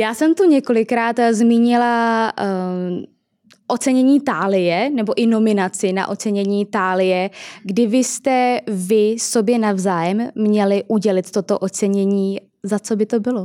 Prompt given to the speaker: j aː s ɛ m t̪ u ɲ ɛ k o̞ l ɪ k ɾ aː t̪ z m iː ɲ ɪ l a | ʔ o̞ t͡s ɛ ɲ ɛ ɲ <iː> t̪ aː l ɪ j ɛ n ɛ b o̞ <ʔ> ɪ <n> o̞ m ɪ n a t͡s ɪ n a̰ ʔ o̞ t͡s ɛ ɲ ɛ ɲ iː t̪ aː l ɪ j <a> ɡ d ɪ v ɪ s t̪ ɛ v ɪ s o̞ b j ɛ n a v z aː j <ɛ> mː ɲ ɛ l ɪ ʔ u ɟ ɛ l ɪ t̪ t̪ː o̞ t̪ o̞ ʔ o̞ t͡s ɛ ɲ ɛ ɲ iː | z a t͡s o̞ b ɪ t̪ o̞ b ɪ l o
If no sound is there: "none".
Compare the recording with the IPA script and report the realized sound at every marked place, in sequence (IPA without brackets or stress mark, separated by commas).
iː, ʔ, n, ɛ, ɛ